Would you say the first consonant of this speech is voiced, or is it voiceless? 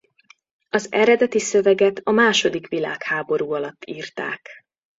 voiced